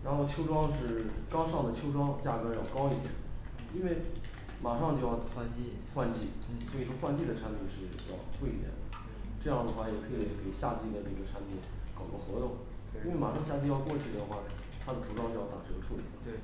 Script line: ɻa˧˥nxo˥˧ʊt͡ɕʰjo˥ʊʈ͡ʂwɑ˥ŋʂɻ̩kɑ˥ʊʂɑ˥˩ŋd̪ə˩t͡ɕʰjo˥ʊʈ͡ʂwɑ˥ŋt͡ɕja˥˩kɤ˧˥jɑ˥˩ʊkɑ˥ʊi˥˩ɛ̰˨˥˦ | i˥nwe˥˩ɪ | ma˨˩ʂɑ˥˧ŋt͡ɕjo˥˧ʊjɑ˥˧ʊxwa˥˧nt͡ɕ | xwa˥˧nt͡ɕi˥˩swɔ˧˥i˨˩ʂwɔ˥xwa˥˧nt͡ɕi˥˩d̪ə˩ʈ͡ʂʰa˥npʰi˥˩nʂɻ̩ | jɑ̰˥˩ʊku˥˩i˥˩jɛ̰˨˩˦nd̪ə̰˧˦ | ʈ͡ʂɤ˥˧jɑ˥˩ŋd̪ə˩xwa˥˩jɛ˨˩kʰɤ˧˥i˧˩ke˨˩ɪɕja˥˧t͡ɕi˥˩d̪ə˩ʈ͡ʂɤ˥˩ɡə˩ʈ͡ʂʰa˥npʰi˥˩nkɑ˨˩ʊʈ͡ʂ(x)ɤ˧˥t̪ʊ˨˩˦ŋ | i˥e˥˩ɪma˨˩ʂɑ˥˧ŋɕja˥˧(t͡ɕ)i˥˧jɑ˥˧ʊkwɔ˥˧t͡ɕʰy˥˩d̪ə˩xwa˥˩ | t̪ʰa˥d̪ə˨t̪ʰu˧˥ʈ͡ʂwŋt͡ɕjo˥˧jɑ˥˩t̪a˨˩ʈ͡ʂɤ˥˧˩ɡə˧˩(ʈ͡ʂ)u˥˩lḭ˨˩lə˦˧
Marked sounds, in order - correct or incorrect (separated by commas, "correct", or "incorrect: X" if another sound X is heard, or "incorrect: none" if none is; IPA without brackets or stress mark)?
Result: correct, correct, incorrect: ʈ͡ʂʰ